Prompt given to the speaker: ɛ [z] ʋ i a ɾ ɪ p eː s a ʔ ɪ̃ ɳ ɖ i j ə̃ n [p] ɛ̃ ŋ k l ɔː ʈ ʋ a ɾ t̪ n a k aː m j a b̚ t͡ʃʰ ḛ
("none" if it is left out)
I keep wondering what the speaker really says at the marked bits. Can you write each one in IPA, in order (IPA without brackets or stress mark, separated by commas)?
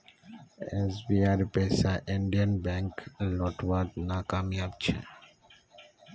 z, b